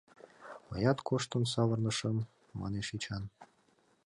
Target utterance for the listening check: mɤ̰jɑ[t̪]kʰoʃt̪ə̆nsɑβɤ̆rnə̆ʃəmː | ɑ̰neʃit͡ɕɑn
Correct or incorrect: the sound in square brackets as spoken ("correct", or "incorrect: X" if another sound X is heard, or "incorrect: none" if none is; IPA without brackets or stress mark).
correct